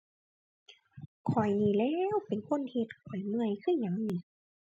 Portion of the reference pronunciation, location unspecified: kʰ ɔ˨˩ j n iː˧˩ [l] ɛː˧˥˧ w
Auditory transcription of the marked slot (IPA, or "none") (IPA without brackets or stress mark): l